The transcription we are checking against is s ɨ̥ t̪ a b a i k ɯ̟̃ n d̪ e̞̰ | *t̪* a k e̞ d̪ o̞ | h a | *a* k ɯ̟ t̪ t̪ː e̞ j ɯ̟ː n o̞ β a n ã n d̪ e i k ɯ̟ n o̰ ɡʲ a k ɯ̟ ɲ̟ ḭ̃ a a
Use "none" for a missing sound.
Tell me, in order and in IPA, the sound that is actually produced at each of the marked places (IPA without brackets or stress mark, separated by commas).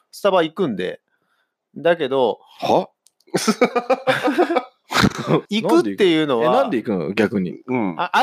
d̪, i